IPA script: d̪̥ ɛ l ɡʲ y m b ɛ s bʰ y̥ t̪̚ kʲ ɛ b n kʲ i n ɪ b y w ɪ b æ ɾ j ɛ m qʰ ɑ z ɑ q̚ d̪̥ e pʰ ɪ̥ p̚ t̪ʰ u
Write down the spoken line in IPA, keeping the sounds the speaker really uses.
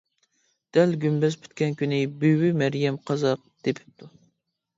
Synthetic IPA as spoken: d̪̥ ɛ l ɡʲ y m b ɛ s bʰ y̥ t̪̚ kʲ ɛ n kʲ y n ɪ b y w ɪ m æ ɾ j ɛ m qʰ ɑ z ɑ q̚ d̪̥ e pʰ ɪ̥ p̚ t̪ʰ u

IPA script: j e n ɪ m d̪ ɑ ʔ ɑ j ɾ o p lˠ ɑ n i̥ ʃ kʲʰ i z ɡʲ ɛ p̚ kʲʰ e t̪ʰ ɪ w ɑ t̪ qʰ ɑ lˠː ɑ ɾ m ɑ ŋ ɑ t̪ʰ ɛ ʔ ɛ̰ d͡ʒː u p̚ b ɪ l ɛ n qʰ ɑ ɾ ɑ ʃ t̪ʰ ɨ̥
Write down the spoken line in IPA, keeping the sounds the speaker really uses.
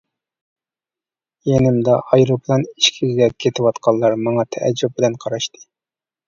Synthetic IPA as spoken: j e n ɪ m d̪ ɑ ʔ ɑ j ɾ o p lˠ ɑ n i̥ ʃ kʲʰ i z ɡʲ ɛ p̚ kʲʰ e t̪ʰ ɪ w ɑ t̪ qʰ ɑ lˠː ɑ ɾ m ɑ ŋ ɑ t̪ʰ ɛ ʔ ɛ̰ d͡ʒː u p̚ b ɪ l ɛ n qʰ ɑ ɾ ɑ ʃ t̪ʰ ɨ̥

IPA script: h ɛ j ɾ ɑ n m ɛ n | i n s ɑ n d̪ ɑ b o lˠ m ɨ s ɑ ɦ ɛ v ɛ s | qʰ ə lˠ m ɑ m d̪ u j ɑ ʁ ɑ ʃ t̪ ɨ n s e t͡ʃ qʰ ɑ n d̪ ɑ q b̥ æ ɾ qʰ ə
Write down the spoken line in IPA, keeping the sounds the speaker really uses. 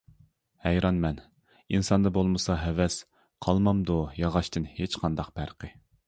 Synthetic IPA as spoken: h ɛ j ɾ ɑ n m ɛ n | i n s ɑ n d̪ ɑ b o lˠ m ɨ s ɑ ɦ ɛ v ɛ s | qʰ ɑ lˠ m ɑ m d̪ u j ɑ ʁ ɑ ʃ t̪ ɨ n h e t͡ʃ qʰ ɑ n d̪ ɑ q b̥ æ ɾ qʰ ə

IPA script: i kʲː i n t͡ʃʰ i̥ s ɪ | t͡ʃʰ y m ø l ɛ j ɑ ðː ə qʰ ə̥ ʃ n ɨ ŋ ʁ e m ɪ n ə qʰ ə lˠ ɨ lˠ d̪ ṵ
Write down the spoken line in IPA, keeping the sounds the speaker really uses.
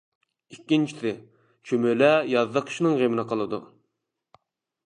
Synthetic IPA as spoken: i kʲː i n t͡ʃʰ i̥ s ɪ | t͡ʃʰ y m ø l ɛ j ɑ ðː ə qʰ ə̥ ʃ n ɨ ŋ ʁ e m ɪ n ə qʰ ə lˠ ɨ d̪ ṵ

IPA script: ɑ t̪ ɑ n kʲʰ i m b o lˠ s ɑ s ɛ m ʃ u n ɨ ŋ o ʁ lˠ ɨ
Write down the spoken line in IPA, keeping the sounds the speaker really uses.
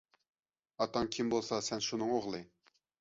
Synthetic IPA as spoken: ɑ t̪ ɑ ŋ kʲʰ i m b o lˠ s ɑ s ɛ n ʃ u n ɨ ŋ o ʁ lˠ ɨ

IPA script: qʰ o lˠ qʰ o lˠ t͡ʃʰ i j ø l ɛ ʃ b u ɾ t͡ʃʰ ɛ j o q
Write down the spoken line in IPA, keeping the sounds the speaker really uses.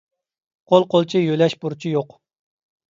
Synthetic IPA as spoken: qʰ o lˠ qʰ o lˠ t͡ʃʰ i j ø l ɛ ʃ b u ɾ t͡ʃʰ i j o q

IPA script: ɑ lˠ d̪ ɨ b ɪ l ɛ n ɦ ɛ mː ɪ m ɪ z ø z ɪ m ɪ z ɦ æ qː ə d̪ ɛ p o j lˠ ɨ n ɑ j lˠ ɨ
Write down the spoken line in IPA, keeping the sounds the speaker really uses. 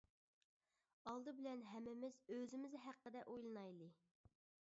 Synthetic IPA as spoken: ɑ lˠ d̪ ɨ b ɪ l ɛ n ɦ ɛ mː ɪ m ɪ z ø z ɪ m ɪ z ɦ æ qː ə d̪ ɛ ʔ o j lˠ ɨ n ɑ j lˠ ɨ

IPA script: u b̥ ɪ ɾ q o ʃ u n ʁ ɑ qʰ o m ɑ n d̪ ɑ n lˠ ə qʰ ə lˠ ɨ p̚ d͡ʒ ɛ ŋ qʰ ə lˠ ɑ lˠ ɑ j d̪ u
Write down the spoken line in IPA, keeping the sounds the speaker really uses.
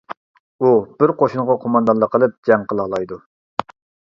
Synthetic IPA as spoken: u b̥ ɪ ɾ q o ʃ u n ʁ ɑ qʰ o m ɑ n d̪ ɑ n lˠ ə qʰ ə lˠ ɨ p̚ d͡ʒ ɛ ŋ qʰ ə lˠ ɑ lˠ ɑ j d̪ u

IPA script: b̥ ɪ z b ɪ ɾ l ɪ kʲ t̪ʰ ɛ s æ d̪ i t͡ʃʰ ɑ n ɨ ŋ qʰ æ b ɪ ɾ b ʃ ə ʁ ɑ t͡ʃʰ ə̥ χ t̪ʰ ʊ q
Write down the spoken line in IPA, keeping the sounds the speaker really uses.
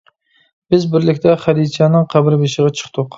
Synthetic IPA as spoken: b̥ ɪ z b ɪ ɾ l ɪ kʲ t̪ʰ ɛ χ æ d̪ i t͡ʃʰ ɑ n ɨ ŋ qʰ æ b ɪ ɾ b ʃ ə ʁ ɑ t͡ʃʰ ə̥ χ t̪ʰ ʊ q

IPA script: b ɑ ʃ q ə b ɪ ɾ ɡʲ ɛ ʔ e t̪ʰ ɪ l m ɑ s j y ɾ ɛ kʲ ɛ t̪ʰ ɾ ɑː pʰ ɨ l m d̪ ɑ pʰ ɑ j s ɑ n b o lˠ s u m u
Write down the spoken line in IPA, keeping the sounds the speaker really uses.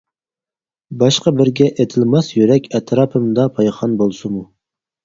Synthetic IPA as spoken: b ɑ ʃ q ɑ b ɪ ɾ ɡʲ ɛ ʔ e t̪ʰ ɪ l m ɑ s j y ɾ ɛ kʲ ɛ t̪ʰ ɾ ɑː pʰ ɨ m d̪ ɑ pʰ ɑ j χ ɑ n b o lˠ s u m u

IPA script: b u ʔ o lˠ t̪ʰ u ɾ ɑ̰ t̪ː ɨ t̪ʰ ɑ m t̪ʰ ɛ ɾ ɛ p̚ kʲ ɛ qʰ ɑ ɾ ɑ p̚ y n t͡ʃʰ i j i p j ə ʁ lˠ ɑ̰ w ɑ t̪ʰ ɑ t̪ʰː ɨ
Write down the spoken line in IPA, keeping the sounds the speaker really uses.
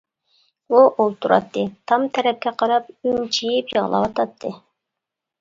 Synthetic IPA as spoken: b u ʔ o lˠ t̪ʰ u ɾ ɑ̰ t̪ː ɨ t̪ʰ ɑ m t̪ʰ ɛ ɾ ɛ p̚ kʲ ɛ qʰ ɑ ɾ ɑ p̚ y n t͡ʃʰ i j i p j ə ʁ lˠ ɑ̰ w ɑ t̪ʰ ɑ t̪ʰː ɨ

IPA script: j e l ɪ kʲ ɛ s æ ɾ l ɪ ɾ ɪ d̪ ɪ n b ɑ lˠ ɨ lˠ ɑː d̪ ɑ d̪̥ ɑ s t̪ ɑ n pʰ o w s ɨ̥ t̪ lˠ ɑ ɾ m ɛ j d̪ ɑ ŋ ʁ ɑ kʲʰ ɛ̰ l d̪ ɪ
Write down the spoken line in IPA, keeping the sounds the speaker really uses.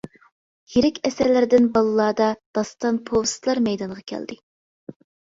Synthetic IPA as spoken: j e ɾ ɪ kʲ ɛ s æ ɾ l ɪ ɾ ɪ d̪ ɪ n b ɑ lˠ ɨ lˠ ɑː d̪ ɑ d̪̥ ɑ s t̪ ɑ n pʰ o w s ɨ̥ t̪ lˠ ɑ ɾ m ɛ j d̪ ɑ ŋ ʁ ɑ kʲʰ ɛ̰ l d̪ ɪ

